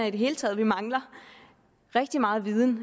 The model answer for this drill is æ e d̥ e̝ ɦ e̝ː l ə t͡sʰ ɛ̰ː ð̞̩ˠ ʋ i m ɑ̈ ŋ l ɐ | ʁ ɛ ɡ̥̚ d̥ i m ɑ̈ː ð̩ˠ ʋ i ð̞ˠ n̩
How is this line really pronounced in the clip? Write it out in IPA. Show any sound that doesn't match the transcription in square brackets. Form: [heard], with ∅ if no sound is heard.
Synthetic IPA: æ [i] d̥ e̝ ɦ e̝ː l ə t͡sʰ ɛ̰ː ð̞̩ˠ ʋ i m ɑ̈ ŋ l ɐ | ʁ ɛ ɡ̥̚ d̥ i m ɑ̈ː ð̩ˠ ʋ i ð̞ˠ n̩